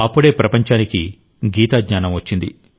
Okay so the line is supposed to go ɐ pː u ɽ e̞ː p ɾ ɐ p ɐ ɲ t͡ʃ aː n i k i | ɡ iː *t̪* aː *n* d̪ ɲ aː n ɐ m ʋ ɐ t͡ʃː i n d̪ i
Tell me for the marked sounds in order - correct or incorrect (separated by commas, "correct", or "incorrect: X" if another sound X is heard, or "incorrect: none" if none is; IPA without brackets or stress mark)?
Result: correct, incorrect: none